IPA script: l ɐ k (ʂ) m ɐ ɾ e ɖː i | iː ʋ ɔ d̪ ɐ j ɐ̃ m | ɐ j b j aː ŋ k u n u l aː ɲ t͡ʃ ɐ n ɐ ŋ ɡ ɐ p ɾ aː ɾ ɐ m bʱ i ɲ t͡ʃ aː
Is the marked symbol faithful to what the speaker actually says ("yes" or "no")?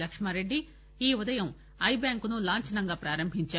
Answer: yes